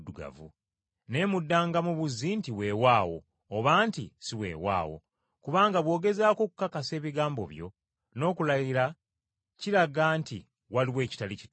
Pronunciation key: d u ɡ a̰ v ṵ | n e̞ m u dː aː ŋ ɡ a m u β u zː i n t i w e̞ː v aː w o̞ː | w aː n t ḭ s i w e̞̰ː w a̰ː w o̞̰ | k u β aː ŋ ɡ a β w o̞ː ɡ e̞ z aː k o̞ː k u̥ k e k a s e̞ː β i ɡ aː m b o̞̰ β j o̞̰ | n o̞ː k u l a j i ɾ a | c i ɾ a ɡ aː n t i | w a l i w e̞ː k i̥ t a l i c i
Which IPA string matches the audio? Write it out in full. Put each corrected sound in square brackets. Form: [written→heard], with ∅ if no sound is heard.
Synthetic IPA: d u ɡ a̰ v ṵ | n e̞ m u dː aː ŋ ɡ a m u β u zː i n t i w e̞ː [v→w] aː w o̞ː | [w→β] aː n t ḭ s i w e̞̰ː w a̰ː w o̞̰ | k u β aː ŋ ɡ a β w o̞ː ɡ e̞ z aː k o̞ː k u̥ k [e→a] k a s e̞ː β i ɡ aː m b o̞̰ β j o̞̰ | n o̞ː k u l a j i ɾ a | c i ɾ a ɡ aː n t i | w a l i w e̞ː [k→c] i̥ t a l i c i